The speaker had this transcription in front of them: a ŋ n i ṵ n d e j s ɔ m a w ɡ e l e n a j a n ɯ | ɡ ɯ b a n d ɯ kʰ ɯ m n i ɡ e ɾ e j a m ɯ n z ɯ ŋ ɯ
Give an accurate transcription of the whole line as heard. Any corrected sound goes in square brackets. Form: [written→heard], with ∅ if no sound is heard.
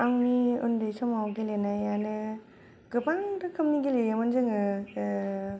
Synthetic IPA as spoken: a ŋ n i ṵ n d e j s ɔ m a w ɡ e l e n a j a n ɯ | ɡ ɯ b a [n→ŋ] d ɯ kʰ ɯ m n i ɡ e [ɾ→l] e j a m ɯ n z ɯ ŋ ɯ